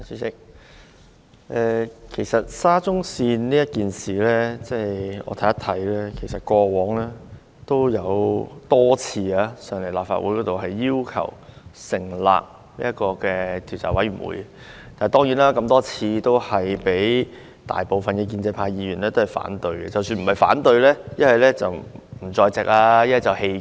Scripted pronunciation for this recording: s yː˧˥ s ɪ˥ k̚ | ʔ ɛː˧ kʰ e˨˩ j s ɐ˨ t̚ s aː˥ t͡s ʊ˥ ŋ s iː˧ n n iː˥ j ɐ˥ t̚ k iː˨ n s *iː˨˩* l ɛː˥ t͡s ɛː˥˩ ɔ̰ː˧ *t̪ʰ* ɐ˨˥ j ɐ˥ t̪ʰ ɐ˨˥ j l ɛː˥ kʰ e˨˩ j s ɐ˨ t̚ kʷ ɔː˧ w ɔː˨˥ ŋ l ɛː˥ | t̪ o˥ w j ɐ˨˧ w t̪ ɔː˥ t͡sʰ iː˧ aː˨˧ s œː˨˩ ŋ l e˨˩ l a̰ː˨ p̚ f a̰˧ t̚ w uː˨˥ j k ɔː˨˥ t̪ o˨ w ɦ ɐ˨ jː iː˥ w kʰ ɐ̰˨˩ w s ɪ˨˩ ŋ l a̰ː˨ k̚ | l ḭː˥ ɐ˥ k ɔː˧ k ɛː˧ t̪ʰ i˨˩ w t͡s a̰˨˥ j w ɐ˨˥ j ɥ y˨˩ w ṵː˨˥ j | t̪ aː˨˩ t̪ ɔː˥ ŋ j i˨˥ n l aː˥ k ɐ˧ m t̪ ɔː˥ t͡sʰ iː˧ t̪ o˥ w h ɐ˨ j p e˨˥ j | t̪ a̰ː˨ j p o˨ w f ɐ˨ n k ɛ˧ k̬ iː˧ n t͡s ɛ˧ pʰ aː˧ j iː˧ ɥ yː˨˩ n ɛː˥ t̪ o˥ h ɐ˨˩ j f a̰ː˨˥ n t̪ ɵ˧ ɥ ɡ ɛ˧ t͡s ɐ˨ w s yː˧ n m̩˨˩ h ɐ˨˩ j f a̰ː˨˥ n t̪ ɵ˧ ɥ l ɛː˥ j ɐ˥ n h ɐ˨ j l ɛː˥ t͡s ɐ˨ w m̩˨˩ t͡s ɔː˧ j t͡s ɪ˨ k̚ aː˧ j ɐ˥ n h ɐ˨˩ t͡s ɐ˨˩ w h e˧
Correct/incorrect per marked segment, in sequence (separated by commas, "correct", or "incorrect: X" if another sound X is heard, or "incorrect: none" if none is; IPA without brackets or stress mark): correct, correct